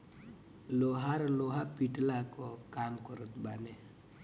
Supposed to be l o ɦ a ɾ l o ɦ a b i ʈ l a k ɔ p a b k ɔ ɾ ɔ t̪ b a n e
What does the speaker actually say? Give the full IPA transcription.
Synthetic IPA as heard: l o ɦ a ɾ l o ɦ a p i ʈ l a k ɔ k a m k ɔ ɾ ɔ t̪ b a n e